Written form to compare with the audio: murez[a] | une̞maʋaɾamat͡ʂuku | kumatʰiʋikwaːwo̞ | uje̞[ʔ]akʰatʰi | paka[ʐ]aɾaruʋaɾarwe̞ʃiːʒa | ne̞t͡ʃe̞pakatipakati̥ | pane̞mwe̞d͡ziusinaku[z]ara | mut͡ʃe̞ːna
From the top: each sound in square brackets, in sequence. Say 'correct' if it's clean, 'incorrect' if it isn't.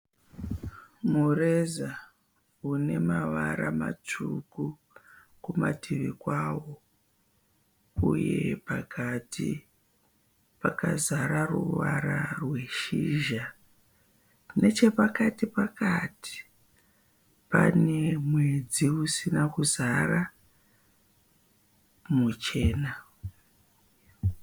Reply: correct, incorrect, incorrect, correct

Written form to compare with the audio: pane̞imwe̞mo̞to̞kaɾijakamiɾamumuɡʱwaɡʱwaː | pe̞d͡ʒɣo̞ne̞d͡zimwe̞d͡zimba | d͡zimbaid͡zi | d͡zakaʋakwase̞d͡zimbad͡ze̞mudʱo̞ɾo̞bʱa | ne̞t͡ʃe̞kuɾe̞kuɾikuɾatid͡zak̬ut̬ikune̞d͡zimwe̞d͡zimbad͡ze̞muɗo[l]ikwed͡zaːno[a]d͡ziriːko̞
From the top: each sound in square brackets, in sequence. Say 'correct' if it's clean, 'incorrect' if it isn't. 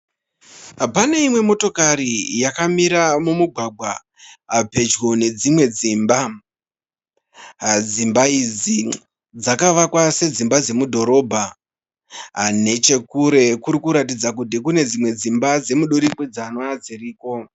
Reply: incorrect, correct

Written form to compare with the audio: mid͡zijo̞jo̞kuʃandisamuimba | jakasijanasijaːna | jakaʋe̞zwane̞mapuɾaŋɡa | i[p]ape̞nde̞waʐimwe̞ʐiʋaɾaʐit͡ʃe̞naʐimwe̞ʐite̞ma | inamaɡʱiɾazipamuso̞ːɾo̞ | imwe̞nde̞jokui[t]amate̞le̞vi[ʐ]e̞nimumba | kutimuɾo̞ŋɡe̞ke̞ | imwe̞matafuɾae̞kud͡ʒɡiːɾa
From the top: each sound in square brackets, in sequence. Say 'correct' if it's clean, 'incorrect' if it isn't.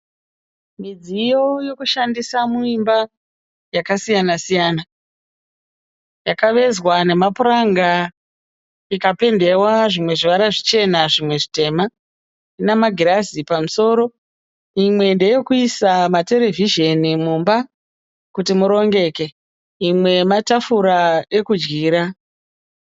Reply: incorrect, incorrect, incorrect

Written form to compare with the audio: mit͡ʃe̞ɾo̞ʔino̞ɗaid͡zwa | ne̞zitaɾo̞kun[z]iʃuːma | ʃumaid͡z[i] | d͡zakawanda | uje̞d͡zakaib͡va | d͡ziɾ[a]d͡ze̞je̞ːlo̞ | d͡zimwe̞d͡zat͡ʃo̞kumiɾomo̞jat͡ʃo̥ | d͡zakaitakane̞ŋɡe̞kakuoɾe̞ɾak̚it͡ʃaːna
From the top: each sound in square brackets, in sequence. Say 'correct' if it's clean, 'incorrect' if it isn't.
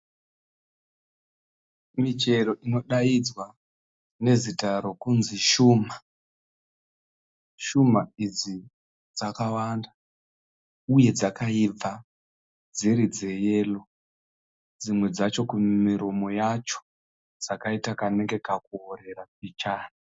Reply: correct, correct, incorrect

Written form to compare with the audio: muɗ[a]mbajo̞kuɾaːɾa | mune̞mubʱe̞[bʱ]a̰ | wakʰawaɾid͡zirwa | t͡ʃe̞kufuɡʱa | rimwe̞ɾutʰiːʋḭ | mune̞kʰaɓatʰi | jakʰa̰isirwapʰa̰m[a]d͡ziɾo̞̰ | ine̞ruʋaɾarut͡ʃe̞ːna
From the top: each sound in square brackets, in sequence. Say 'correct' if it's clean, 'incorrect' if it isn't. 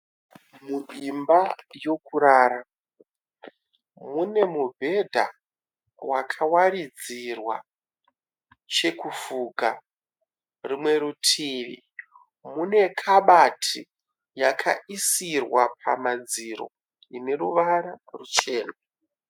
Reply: incorrect, incorrect, correct

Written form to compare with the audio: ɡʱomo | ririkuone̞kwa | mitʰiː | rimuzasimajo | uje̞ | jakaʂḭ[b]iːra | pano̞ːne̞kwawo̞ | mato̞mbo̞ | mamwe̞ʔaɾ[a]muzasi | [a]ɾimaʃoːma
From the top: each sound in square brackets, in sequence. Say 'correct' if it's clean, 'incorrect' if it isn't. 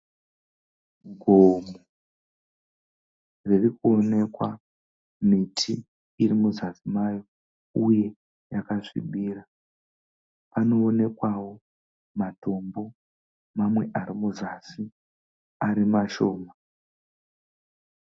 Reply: incorrect, incorrect, correct

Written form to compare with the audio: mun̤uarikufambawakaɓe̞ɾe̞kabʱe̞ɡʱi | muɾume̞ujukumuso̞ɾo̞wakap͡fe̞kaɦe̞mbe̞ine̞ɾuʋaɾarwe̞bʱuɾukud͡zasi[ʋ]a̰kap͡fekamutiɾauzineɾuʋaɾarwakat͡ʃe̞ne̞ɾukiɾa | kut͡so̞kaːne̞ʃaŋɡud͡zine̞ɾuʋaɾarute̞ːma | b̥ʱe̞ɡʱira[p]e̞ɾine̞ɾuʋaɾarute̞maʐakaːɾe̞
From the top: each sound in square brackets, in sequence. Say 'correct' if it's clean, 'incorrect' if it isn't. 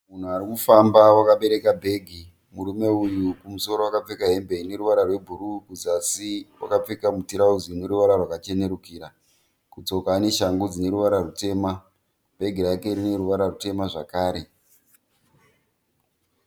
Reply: incorrect, incorrect

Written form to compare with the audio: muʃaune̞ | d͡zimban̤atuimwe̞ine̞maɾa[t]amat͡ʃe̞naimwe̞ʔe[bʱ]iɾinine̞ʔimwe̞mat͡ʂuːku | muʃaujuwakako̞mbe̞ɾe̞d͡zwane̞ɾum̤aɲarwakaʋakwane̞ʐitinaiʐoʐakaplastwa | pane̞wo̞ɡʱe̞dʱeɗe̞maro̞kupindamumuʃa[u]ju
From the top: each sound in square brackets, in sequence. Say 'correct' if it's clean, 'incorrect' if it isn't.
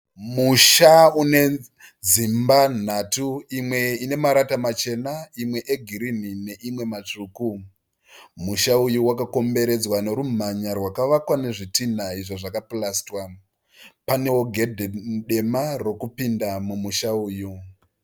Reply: correct, incorrect, incorrect

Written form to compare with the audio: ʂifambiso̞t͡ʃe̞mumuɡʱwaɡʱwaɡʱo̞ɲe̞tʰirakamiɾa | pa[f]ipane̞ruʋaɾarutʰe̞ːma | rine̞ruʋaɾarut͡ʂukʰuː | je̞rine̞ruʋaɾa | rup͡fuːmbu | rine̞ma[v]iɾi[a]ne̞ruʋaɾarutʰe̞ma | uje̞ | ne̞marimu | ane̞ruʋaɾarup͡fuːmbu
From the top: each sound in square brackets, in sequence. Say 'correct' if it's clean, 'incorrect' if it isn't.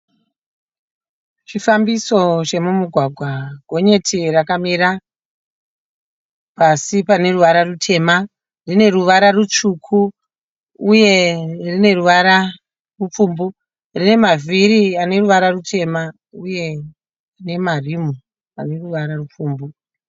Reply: incorrect, correct, correct

